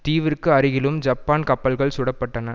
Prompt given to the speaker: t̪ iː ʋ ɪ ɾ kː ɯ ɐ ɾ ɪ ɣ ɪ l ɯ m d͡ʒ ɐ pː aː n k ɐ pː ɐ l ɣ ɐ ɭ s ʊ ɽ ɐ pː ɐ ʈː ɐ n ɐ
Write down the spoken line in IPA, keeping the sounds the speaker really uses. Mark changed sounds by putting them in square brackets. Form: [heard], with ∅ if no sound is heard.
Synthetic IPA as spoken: t̪ iː ʋ ɪ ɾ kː ɯ ɐ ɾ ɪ ɣ ɪ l ɯ m d͡ʒ ɐ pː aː n k ɐ pː ɐ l ɣ ɐ ɭ s ʊ ɽ ɐ pː ɐ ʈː ɐ n ɐ